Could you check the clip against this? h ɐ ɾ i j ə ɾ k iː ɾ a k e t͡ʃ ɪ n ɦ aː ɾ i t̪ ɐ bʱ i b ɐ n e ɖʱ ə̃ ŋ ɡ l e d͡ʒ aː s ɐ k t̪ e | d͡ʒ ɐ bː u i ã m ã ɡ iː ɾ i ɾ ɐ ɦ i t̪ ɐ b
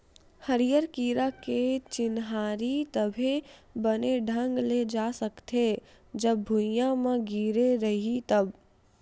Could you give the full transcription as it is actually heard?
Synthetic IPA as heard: h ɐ ɾ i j ə ɾ k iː ɾ a k e t͡ʃ ɪ n ɦ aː ɾ i t̪ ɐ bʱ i b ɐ n e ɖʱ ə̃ ŋ ɡ l e d͡ʒ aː s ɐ k t̪ e | d͡ʒ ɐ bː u j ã m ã ɡ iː ɾ e ɾ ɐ ɦ i t̪ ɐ b